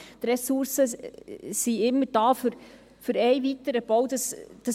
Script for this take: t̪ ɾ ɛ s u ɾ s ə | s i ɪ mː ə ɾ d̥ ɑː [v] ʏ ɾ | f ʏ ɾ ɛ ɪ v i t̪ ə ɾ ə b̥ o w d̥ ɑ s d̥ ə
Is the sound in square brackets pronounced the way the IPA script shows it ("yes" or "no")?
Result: no